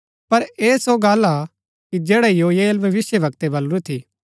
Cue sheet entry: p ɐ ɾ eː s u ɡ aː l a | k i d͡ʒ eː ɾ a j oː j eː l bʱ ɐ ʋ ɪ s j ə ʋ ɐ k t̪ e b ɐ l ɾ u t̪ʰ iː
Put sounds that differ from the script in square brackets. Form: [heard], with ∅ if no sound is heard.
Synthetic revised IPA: p ɐ ɾ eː s [o] ɡ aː l a | k i d͡ʒ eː [ɽ] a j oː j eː l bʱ ɐ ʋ ɪ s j ə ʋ ɐ k t̪ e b ɐ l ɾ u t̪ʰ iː